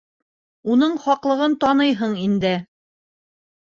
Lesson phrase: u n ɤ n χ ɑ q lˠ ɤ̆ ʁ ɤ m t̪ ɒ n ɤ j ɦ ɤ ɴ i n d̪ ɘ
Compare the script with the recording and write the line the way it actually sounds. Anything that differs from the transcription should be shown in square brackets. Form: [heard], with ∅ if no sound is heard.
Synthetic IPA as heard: u n ɤ [ɴ] χ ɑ q lˠ ɤ̆ ʁ ɤ [n] t̪ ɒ n ɤ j ɦ ɤ ɴ i n d̪ ɘ